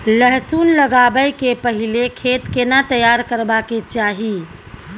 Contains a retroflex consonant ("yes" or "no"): no